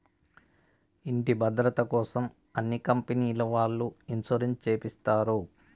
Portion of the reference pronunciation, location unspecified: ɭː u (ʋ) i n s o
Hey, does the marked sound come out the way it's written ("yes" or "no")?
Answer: no